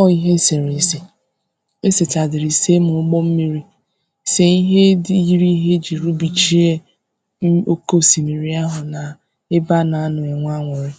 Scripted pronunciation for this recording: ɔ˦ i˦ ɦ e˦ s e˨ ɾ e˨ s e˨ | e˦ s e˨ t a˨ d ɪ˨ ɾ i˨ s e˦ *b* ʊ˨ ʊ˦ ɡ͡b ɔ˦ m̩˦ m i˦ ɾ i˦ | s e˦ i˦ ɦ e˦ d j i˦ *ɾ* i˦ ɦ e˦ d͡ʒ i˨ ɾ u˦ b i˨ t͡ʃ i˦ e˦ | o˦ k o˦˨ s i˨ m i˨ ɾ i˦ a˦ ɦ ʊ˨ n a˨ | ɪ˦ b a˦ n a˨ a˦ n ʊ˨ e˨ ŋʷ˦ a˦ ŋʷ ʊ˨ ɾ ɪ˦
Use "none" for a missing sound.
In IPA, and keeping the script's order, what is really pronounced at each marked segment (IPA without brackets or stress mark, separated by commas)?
m, ɾ